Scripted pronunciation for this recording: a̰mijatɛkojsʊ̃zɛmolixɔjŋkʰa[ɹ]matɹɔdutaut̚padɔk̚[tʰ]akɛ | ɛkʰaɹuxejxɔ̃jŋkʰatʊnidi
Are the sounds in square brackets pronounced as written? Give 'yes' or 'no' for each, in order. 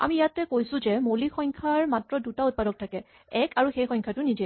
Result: yes, yes

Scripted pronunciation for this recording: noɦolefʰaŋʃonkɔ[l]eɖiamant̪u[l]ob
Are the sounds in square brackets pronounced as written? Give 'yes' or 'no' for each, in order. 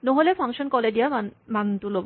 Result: yes, yes

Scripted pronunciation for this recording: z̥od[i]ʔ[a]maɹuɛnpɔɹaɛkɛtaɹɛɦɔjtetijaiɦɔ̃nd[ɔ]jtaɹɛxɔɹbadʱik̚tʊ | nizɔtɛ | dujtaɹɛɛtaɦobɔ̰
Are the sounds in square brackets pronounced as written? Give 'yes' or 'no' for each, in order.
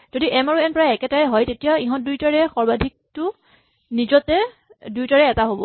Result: yes, no, no

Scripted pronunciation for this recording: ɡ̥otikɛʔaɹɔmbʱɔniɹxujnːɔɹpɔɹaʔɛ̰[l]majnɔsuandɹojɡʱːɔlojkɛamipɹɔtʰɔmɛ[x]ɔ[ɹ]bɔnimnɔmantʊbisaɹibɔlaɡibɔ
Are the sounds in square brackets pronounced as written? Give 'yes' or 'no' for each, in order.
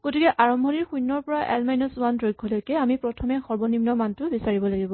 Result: yes, yes, yes

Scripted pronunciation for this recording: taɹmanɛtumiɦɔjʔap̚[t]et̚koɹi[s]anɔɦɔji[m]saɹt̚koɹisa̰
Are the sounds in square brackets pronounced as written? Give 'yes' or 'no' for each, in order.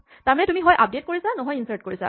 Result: no, yes, no

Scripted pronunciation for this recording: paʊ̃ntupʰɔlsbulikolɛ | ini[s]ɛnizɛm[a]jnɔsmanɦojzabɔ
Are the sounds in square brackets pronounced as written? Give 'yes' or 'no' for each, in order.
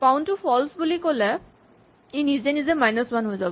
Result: no, yes

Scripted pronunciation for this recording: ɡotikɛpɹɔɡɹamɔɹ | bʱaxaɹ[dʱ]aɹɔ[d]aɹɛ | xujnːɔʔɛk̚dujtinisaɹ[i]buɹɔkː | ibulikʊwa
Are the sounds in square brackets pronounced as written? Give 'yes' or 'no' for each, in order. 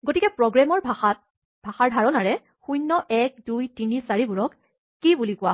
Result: yes, no, yes

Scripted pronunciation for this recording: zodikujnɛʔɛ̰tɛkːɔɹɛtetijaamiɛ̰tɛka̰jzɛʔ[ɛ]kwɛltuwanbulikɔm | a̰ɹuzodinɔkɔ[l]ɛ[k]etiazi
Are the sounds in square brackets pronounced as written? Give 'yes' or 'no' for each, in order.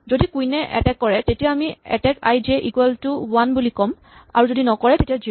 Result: no, no, no

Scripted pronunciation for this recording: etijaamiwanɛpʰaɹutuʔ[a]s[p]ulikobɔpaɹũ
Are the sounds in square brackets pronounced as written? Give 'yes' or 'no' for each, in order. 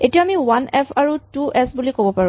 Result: no, no

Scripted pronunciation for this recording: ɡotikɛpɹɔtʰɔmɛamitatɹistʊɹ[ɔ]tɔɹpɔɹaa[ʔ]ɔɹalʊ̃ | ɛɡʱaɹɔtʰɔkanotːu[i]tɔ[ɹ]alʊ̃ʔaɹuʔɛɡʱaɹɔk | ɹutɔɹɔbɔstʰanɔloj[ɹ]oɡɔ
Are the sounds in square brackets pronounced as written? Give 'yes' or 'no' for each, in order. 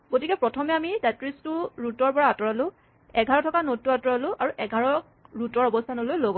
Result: no, no, no, yes, no

